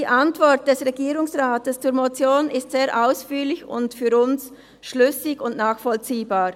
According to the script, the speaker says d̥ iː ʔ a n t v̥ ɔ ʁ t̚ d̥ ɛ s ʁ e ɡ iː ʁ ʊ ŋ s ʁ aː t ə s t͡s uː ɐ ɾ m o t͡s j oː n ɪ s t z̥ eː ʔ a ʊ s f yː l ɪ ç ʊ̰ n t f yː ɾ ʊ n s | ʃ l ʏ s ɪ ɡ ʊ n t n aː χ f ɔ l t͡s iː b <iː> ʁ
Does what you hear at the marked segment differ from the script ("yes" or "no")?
yes